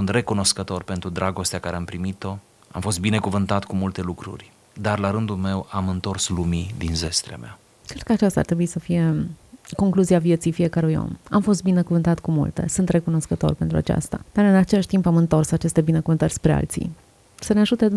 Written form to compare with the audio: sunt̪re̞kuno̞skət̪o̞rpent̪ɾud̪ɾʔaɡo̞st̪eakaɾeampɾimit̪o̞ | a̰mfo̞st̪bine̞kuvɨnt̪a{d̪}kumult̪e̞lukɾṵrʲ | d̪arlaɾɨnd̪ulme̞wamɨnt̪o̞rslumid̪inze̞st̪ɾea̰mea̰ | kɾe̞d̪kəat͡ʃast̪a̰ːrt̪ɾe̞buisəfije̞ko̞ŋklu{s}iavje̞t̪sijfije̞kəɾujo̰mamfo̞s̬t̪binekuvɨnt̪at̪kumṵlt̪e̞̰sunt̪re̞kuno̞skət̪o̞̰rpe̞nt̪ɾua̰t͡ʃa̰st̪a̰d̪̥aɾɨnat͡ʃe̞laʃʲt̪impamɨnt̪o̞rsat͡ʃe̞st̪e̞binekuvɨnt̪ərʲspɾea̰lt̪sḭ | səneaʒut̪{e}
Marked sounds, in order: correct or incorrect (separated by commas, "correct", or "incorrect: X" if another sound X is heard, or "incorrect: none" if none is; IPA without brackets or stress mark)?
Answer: incorrect: t̪, incorrect: z, correct